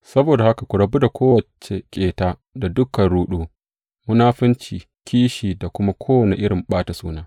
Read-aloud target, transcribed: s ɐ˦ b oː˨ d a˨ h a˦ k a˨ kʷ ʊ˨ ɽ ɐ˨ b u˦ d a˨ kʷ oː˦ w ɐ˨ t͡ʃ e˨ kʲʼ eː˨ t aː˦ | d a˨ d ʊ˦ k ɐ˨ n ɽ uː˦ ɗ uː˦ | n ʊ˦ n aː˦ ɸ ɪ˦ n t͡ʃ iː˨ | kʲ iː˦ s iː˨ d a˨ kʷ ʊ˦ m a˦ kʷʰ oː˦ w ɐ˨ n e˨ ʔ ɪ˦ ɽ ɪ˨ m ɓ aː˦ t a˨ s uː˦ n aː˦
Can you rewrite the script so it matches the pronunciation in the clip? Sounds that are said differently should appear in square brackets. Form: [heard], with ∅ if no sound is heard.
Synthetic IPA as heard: s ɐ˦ b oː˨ d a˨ h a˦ k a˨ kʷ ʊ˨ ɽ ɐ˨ b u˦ d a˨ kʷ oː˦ w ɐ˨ t͡ʃ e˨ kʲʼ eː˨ t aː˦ | d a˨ d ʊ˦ k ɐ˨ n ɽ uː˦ ɗ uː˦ | [m] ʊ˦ n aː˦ ɸ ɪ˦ n t͡ʃ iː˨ | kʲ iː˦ [ʃ] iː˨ d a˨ kʷ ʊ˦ m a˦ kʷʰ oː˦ w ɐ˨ n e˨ ʔ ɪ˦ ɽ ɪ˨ m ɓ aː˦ t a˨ s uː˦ n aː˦